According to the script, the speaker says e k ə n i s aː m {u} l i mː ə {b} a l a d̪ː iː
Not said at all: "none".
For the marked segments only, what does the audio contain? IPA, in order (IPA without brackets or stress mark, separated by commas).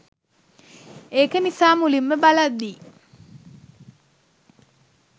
u, b